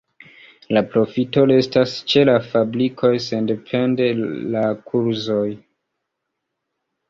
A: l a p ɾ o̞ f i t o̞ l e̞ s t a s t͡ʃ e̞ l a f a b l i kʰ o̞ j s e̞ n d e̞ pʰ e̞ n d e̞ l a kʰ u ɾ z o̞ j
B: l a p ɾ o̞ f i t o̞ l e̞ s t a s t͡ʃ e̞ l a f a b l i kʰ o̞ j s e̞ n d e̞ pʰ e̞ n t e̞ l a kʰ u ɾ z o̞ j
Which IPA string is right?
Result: A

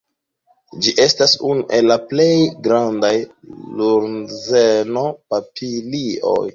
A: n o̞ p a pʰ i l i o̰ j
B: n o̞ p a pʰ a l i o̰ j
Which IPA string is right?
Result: A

